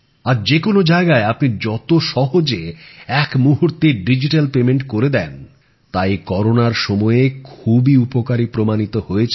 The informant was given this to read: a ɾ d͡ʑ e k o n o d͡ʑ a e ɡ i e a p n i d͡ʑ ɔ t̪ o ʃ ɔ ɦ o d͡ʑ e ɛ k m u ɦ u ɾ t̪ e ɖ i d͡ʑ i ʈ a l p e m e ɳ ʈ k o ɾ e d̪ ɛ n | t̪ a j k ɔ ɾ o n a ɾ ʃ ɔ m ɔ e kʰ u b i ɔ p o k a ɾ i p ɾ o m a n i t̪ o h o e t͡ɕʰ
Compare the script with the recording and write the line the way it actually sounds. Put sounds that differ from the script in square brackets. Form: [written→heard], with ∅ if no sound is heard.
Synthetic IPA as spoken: a ɾ d͡ʑ e k o n o d͡ʑ a e ɡ [i→a] e a p n i d͡ʑ ɔ t̪ o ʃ ɔ ɦ o d͡ʑ e ɛ k m u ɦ u ɾ t̪ e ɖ i d͡ʑ i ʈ a l p e m e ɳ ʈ k o ɾ e d̪ ɛ n | t̪ a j k ɔ ɾ o n a ɾ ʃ ɔ m ɔ e kʰ u b i [ɔ→u] p o k a ɾ i p ɾ o m a n i t̪ o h o e t͡ɕʰ